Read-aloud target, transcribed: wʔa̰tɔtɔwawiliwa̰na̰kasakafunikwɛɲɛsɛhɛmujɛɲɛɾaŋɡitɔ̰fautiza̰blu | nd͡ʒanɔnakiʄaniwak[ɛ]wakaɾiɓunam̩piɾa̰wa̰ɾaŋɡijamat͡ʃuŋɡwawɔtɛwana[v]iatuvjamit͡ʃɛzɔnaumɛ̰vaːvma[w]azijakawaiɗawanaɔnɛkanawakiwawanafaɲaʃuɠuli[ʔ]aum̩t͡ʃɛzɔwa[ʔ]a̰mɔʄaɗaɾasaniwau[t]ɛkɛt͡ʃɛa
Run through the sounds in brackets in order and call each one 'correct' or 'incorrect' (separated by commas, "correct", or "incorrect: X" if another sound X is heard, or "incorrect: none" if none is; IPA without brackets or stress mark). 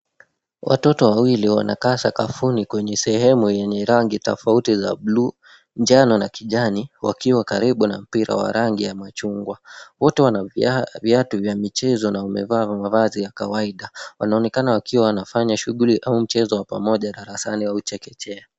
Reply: incorrect: i, correct, incorrect: v, correct, incorrect: p, incorrect: t͡ʃ